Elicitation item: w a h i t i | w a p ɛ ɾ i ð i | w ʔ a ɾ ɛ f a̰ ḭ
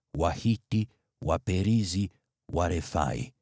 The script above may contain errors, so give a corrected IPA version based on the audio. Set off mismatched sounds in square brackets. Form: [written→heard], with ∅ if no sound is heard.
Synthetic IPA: w a h i t i | w a p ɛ ɾ i [ð→z] i | w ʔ a ɾ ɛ f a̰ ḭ